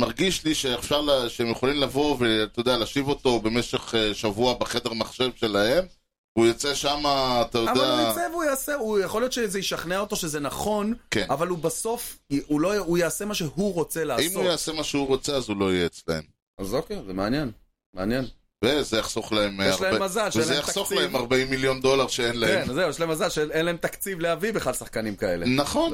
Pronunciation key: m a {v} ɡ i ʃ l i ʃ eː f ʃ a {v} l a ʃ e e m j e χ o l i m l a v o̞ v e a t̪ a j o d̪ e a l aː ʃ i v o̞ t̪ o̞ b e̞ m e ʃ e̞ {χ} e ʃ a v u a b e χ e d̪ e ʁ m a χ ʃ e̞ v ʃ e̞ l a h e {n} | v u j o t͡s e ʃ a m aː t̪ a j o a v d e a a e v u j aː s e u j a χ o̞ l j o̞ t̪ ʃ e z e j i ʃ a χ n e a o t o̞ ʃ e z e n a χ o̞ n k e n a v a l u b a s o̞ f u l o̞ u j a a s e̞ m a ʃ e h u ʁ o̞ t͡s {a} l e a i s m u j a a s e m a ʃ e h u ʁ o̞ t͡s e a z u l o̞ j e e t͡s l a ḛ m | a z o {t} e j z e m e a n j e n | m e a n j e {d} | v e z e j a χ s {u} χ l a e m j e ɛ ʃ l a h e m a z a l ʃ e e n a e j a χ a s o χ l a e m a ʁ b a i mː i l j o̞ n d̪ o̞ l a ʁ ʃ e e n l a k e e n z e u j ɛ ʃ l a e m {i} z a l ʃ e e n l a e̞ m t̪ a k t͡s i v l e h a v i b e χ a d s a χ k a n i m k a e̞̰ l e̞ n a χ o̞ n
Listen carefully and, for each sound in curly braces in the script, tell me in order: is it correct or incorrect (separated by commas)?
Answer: incorrect, incorrect, correct, incorrect, incorrect, incorrect, incorrect, incorrect, incorrect